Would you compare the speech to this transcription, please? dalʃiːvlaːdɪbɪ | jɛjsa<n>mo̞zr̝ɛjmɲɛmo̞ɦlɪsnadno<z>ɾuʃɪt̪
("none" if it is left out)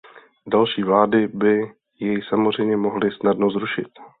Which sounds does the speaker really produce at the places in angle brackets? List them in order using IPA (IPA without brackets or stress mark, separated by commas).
none, z